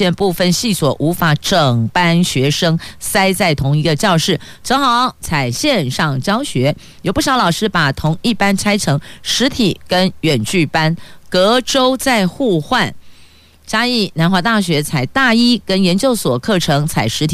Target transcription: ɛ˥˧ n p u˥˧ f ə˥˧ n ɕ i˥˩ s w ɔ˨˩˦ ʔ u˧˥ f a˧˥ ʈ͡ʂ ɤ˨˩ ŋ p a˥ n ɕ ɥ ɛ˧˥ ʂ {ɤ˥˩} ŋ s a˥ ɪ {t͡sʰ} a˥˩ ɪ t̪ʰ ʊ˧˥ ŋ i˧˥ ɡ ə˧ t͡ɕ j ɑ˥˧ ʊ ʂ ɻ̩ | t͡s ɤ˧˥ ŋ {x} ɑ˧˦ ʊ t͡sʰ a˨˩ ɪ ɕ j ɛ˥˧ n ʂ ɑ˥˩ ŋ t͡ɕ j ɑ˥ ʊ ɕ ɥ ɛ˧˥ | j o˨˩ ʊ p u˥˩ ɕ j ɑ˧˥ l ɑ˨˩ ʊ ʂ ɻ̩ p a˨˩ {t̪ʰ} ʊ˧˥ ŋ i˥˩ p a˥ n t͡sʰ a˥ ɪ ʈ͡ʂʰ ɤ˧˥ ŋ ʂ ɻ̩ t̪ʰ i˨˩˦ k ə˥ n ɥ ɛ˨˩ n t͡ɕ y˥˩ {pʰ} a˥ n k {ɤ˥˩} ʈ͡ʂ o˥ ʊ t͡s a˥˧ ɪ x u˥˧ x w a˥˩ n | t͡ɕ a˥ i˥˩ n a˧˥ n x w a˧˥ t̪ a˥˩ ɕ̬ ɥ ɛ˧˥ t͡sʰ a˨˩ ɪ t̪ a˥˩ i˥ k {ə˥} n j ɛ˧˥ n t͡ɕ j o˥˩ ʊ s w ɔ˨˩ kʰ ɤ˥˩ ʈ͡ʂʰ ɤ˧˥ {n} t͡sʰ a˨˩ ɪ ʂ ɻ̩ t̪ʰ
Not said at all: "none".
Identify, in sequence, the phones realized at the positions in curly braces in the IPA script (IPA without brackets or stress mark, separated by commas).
ɤ˥, t͡s, x, t̪ʰ, p, ɤ˧˥, ə˥, ŋ